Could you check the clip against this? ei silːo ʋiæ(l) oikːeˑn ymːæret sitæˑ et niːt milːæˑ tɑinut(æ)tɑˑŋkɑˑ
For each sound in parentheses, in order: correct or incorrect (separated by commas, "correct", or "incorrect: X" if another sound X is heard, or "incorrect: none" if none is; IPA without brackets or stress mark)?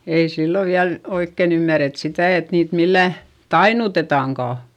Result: correct, incorrect: e